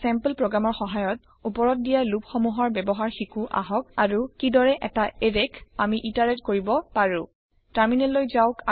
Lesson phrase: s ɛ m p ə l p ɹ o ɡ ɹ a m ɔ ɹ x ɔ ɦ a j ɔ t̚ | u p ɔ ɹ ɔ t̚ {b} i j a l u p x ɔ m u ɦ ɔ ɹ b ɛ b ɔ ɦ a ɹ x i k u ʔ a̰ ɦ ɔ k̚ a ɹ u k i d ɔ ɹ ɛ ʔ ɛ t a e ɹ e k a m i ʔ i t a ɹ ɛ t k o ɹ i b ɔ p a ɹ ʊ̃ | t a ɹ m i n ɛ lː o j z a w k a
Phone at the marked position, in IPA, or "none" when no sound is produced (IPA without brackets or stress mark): d